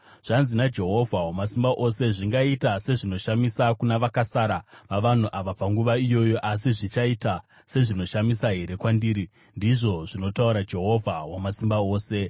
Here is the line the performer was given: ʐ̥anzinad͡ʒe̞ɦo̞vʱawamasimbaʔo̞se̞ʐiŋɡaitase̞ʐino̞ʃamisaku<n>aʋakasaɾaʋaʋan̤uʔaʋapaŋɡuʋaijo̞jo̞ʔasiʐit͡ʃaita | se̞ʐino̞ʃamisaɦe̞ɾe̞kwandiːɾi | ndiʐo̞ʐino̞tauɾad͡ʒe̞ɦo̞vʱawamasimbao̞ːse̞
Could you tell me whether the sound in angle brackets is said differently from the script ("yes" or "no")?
no